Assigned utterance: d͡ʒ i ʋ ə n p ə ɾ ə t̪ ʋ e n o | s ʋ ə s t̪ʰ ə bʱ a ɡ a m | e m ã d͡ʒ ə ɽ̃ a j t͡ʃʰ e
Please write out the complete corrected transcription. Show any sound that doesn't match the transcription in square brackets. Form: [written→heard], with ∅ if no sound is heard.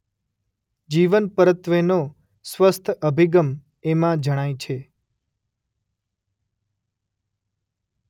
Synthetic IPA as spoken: d͡ʒ i ʋ ə n p ə ɾ ə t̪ ʋ e n o | s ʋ ə s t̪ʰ ə bʱ [a→i] ɡ [a→ə] m | e m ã d͡ʒ ə ɽ̃ a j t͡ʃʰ e